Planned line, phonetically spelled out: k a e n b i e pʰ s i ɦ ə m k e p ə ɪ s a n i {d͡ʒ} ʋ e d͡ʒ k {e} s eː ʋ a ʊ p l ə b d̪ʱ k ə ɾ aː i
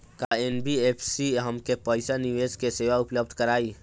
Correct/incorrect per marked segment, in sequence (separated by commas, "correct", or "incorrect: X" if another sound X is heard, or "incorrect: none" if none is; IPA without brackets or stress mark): incorrect: none, correct